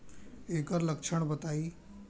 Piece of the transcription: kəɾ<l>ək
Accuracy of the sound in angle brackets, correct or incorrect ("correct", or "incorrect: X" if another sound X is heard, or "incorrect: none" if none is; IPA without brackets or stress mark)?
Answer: correct